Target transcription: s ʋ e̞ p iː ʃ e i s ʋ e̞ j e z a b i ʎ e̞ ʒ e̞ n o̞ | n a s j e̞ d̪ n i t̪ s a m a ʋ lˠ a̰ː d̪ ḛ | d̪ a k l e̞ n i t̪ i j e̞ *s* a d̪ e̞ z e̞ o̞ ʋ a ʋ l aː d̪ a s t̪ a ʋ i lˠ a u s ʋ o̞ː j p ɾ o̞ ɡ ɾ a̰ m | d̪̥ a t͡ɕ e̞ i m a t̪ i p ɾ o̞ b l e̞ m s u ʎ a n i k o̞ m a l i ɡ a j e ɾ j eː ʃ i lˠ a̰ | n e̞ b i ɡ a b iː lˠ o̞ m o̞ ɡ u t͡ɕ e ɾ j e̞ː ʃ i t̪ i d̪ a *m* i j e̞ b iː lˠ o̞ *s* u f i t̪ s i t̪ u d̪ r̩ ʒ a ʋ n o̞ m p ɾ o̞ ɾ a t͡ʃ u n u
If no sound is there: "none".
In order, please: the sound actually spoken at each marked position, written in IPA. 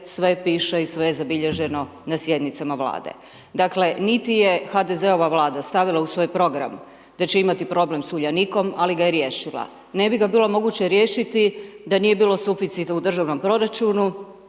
x, n, s

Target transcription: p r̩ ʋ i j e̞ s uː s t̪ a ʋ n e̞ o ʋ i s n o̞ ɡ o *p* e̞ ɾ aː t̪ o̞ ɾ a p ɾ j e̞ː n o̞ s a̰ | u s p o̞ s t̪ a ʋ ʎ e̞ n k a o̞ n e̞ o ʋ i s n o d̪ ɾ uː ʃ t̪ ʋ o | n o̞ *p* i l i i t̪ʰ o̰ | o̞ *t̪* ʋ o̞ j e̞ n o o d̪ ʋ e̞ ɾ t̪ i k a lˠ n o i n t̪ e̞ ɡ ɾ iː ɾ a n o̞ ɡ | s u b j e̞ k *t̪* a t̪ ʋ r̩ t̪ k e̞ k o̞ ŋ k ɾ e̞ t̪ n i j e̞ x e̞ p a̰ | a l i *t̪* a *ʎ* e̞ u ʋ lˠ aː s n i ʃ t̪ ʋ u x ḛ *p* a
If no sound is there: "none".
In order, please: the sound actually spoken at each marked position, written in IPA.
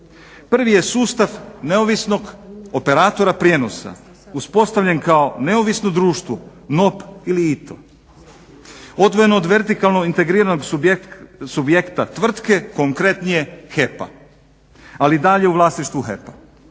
p, p, d̪, t̪, d̪, ʎ, p

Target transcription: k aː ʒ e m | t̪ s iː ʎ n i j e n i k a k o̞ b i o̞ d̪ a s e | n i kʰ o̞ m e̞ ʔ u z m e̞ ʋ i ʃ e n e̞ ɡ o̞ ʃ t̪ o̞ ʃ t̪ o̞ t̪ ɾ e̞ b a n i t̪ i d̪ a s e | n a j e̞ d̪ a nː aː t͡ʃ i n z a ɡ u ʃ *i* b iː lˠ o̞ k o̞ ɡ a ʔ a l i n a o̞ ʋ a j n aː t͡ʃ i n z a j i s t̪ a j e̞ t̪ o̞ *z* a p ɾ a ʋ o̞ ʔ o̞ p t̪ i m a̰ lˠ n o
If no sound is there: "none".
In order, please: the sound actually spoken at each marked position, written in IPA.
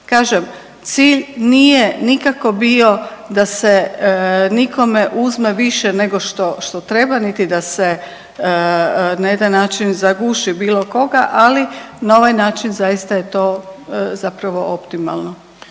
i, z

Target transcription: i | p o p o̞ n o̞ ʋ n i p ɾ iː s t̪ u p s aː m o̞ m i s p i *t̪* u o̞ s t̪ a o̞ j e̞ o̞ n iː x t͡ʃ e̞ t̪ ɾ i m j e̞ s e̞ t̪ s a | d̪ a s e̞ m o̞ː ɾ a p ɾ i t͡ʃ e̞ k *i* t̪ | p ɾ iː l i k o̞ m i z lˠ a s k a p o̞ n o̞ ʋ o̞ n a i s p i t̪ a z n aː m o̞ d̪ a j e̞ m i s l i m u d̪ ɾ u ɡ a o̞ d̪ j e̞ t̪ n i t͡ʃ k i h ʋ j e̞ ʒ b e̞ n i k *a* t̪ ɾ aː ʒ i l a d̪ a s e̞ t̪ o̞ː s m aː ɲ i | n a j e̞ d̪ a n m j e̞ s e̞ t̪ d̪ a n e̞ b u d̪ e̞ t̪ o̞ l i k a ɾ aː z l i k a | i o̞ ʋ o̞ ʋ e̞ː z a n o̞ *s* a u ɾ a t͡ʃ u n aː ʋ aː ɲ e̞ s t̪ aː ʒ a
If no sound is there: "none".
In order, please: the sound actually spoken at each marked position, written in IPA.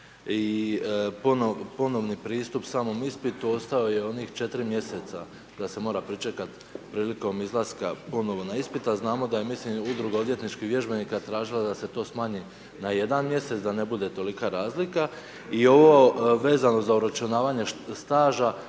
t̪, a, a, z

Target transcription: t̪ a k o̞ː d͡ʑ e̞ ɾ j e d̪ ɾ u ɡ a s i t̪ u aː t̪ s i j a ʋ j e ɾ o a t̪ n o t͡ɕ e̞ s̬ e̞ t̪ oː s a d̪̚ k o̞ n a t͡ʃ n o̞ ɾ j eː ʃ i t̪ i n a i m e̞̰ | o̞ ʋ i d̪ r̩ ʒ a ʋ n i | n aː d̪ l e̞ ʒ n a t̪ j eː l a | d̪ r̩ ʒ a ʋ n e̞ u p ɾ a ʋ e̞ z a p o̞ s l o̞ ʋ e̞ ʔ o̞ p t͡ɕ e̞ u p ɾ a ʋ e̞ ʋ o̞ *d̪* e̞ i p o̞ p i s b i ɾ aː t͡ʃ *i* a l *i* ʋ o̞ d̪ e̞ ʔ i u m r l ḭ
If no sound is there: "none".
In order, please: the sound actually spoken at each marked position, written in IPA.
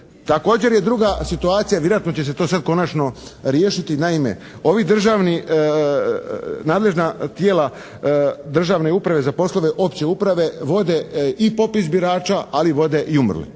d̪, a, i

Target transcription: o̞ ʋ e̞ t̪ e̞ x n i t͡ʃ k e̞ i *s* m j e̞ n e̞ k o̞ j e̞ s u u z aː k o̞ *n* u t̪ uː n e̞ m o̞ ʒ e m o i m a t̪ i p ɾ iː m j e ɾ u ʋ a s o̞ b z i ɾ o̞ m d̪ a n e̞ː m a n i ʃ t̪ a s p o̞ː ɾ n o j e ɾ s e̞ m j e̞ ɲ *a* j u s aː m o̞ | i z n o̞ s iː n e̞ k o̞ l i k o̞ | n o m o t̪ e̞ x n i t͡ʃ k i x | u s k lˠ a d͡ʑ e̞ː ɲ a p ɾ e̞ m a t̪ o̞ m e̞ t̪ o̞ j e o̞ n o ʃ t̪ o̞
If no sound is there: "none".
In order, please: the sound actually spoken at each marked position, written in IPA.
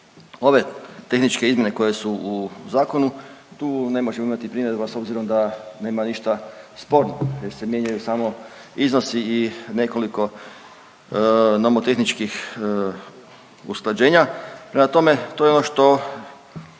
z, n, a

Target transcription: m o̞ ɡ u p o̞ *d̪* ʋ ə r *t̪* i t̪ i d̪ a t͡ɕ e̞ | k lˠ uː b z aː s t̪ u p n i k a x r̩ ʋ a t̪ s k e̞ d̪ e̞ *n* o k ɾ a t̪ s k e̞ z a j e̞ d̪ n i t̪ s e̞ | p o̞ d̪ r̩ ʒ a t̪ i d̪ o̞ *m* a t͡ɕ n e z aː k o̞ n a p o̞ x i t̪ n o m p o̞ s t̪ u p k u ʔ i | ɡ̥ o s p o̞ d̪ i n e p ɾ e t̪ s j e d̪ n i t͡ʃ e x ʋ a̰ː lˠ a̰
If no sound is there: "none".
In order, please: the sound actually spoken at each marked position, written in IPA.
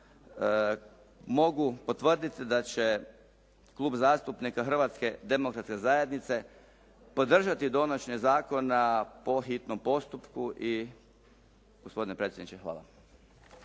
t̪, d̪, m, n

